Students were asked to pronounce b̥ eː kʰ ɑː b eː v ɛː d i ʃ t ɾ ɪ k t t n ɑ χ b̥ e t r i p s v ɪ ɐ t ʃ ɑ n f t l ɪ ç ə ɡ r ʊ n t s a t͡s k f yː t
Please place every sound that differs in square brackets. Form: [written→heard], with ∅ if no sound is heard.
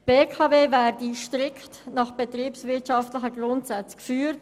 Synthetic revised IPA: b̥ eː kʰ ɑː [b→v] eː v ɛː d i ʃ t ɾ ɪ k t t n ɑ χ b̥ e t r [i→iː] p s v ɪ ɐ t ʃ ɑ [n→∅] f t l ɪ ç ə ɡ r ʊ n t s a t͡s k f yː t